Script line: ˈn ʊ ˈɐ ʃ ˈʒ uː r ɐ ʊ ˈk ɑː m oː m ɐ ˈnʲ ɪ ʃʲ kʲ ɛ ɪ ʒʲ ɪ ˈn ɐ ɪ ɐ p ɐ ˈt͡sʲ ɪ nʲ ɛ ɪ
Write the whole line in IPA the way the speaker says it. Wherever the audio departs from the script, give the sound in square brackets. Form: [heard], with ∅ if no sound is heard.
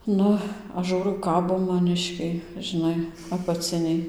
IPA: ˈn ʊ ˈɐ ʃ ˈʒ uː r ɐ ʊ ˈk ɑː [b] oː m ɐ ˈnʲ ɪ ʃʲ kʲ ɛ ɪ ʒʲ ɪ ˈn ɐ ɪ ɐ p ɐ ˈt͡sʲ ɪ nʲ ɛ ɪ